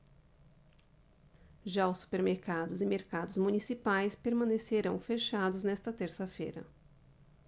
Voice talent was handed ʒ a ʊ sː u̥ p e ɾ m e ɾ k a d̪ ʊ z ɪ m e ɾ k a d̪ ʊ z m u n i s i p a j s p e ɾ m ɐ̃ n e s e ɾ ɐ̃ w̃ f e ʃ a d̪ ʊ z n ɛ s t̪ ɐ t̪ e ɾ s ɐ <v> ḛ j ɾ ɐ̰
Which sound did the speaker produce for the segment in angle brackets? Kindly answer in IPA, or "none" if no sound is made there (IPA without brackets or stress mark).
f